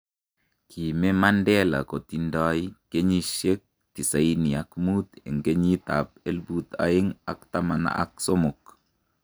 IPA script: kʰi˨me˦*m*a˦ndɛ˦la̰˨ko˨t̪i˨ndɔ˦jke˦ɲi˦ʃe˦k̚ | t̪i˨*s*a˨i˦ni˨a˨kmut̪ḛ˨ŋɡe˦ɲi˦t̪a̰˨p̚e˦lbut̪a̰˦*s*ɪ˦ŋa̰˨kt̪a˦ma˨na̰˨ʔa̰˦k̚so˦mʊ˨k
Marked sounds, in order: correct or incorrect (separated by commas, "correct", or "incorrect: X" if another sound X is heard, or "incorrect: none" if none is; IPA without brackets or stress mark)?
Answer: correct, correct, incorrect: none